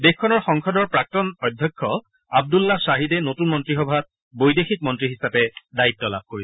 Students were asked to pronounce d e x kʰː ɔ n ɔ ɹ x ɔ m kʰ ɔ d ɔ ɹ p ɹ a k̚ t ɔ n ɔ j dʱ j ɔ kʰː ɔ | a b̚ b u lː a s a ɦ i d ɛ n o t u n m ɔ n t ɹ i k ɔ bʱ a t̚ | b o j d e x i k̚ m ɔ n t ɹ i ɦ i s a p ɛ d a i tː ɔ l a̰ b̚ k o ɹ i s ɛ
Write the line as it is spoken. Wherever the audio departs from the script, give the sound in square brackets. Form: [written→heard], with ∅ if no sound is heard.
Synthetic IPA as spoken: d e x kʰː ɔ n ɔ ɹ x ɔ [m→ŋ] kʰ ɔ d ɔ ɹ p ɹ a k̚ t ɔ n ɔ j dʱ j ɔ kʰː ɔ | a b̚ [b→d] u lː a s a ɦ i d ɛ n o t u n m ɔ n t ɹ i [k→x] ɔ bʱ a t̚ | b o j d e x i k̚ m ɔ n t ɹ i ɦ i s a p ɛ d a i tː ɔ l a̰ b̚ k o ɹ i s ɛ